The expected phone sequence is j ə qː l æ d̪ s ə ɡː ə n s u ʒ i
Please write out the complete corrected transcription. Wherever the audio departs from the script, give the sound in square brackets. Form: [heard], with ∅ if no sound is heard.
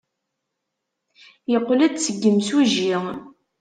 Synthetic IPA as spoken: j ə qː l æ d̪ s ə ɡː ə [m] s u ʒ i